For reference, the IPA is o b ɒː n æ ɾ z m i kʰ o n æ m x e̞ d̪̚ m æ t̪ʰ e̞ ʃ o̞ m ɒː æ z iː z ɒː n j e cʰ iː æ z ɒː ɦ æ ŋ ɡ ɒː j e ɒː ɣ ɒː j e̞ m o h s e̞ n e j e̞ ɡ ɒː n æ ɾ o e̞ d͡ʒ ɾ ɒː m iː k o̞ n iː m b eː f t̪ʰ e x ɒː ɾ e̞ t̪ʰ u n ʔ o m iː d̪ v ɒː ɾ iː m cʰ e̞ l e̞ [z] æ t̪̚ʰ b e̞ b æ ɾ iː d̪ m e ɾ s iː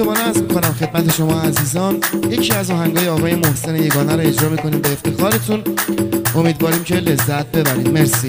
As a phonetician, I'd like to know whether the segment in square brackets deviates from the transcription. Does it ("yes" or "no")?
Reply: yes